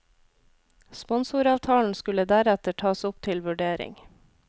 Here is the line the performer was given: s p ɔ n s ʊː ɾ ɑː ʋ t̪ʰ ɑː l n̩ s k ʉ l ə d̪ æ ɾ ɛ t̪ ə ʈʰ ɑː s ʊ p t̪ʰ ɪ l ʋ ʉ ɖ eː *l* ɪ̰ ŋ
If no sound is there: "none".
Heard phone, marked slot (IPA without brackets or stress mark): ɾ